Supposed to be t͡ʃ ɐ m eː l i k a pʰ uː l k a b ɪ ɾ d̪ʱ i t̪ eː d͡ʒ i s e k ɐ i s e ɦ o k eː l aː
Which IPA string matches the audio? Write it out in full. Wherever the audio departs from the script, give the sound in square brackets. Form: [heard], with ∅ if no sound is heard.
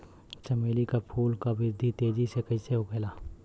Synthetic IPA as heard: t͡ʃ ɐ m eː l i k a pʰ uː l k a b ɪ ɾ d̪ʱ i t̪ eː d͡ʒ i s e k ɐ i s e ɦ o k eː l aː